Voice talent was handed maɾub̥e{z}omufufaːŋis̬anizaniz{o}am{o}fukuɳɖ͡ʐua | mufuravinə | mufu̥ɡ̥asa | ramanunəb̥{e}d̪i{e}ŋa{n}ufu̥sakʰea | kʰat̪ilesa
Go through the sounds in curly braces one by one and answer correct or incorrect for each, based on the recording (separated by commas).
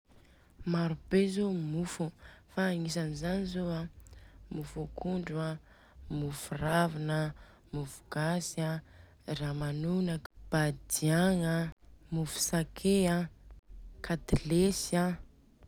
correct, correct, incorrect, incorrect, incorrect, incorrect